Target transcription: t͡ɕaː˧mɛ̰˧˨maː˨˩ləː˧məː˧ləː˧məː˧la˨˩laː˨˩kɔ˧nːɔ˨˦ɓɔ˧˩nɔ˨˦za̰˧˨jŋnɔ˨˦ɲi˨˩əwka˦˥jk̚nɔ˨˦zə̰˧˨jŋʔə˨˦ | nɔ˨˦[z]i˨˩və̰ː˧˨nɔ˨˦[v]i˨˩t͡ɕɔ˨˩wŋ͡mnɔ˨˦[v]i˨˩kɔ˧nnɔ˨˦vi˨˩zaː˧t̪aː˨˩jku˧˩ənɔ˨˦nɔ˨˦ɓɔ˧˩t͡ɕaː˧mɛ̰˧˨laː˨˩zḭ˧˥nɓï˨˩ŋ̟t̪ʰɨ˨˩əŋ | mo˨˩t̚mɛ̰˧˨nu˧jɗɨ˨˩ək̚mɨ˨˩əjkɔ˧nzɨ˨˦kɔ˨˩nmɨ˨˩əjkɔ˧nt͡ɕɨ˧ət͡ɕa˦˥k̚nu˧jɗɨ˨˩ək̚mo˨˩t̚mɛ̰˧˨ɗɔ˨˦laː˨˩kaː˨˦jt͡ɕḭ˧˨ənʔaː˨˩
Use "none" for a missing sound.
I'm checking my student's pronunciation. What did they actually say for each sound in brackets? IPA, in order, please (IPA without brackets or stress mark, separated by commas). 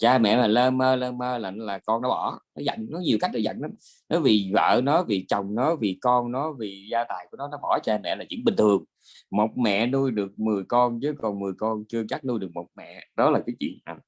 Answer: v, v, v